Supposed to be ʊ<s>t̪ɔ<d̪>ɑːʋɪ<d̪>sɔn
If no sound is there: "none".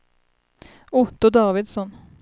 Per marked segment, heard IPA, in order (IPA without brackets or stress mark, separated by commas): none, d̪, d̪